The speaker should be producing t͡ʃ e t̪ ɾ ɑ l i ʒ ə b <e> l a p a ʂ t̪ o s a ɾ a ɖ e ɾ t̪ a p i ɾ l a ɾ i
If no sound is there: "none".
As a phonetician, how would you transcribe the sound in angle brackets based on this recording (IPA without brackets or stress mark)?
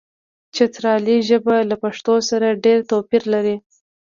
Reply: a